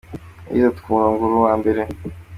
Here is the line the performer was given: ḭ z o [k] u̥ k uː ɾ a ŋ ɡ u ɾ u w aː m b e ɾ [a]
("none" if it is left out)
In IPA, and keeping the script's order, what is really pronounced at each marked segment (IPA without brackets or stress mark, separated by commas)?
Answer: t, e